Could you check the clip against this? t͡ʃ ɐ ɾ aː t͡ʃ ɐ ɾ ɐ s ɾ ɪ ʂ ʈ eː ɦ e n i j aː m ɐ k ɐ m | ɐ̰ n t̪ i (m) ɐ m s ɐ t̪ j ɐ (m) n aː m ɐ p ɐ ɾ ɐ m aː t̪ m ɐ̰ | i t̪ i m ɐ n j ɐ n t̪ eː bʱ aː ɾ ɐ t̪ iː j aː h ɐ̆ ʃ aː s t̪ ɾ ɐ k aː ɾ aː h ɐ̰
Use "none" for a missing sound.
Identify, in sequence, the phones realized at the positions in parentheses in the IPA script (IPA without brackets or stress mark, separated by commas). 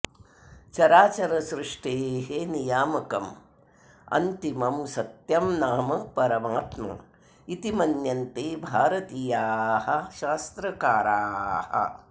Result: m, m